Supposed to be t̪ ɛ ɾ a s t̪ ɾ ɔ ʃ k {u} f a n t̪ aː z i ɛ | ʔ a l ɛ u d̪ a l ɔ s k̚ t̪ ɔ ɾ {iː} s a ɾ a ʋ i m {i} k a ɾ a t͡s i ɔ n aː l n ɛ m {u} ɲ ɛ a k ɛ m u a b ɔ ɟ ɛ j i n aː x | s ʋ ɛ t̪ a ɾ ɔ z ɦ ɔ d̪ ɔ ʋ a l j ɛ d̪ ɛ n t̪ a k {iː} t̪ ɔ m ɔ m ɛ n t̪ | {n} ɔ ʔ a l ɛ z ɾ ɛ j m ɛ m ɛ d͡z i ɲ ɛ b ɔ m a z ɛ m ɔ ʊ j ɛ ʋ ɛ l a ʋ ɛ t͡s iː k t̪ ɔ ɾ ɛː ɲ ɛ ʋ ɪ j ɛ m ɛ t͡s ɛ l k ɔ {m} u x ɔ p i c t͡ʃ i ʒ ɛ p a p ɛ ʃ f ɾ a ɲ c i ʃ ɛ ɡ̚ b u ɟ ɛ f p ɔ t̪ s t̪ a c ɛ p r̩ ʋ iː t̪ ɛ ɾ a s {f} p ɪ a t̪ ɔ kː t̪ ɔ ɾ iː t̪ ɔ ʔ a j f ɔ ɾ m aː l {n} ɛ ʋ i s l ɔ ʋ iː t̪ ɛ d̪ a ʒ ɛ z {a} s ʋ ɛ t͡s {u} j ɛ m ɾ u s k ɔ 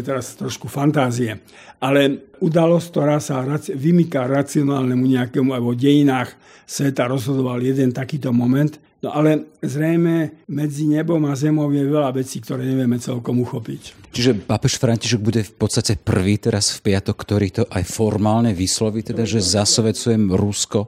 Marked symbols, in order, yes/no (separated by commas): yes, no, yes, yes, yes, yes, yes, yes, no, yes, yes